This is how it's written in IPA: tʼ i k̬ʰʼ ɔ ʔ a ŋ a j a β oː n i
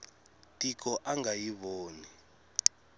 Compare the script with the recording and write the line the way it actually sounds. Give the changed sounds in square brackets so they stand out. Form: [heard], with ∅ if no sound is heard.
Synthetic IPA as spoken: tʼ i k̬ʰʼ ɔ ʔ a ŋ a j [i] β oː n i